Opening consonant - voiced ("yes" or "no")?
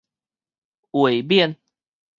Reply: yes